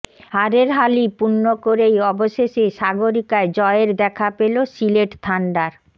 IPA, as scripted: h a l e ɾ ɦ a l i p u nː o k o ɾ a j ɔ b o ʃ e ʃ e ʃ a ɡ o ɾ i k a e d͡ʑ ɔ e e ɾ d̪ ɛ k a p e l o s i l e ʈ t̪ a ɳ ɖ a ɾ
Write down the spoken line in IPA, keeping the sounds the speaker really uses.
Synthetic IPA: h a ɾ e ɾ ɦ a l i p u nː o k o ɾ e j ɔ b o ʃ e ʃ e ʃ a ɡ o ɾ i k a e d͡ʑ ɔ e e ɾ d̪ ɛ kʰ a p e l o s i l e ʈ t̪ʰ a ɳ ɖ a ɾ